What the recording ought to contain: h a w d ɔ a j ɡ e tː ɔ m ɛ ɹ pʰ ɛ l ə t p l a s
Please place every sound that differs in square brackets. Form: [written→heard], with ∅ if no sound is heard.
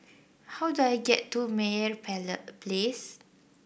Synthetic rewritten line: h a w d [ɔ→u] a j ɡ [e→ɛ] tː [ɔ→u] m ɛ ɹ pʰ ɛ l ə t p l [a→e] s